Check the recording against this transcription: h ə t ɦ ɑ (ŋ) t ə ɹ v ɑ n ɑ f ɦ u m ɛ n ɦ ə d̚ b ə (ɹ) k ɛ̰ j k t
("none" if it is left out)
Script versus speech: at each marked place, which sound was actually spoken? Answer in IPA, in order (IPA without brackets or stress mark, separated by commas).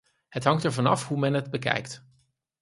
ŋ, none